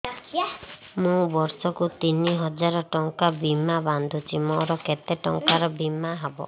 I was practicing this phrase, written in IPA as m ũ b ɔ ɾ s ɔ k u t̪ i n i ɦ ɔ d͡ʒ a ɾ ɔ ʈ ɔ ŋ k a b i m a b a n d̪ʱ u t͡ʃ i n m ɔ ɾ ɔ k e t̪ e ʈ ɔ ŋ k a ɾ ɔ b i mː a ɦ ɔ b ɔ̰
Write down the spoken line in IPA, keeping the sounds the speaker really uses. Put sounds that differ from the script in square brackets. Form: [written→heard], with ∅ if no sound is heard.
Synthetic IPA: m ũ b ɔ ɾ s ɔ k u t̪ i n i ɦ ɔ d͡ʒ a ɾ ɔ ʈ ɔ ŋ k a b i m a b a n d̪ʱ u t͡ʃ i [n→∅] m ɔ ɾ ɔ k e t̪ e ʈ ɔ ŋ k a ɾ ɔ b i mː a ɦ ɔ b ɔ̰